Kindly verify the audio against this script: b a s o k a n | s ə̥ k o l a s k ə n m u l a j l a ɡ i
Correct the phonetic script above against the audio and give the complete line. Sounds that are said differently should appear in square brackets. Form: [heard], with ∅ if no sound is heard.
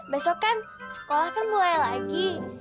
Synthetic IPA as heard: b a s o k a n | s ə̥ k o l a [h] k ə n m u l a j l a ɡ i